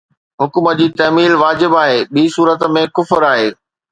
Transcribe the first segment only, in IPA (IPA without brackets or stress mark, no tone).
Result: ɦ